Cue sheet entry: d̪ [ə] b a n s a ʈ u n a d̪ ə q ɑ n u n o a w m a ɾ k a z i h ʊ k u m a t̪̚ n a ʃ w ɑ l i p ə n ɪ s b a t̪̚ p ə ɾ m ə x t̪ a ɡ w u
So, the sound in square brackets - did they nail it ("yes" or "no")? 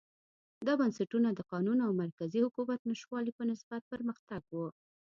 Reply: no